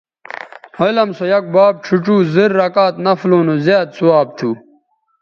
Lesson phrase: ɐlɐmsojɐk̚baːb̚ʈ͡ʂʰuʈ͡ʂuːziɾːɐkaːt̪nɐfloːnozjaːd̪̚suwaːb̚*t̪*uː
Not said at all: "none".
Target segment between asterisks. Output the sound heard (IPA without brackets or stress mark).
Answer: t̪ʰ